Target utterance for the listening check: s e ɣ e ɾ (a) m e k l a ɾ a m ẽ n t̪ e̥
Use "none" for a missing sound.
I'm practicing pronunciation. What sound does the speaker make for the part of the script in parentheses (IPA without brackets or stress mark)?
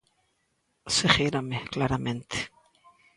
a